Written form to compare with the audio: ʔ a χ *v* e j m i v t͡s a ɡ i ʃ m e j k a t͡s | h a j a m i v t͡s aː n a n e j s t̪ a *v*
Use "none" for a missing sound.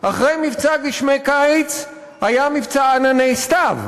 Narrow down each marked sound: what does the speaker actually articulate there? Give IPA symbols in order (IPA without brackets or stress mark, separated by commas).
ʁ, v